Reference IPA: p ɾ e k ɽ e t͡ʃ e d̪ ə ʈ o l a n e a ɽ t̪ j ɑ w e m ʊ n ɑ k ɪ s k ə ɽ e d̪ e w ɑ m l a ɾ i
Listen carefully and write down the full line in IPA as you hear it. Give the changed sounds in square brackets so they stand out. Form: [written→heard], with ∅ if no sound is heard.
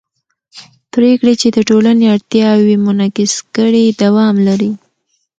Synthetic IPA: p ɾ e k ɽ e t͡ʃ e d̪ ə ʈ o l a n e a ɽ t̪ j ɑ w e m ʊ n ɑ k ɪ s k ə ɽ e d̪ [e→a] w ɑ m l a ɾ i